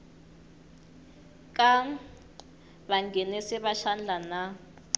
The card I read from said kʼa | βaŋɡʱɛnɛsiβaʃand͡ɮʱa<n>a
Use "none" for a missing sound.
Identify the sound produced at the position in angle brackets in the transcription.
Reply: n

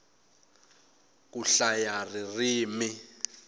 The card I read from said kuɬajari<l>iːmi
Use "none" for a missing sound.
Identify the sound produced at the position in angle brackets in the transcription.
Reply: r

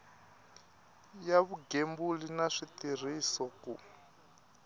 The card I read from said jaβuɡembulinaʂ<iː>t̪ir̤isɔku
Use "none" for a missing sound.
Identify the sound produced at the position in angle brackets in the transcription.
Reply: i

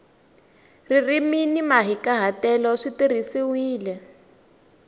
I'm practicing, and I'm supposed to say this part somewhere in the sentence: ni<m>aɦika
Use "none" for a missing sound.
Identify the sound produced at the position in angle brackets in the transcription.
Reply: m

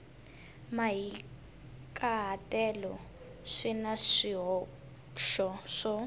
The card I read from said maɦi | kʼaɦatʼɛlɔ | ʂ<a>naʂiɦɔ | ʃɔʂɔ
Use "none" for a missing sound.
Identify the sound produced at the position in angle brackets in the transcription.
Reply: i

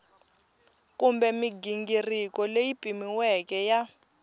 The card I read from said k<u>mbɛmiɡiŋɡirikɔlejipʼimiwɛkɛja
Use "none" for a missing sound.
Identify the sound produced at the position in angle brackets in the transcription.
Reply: u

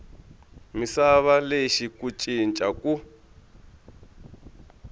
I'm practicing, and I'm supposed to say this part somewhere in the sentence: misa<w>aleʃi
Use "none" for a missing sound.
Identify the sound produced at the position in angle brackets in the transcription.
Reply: β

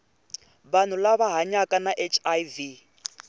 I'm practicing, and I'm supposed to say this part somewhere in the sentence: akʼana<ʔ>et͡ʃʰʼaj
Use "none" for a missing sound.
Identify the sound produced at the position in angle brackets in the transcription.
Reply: ʔ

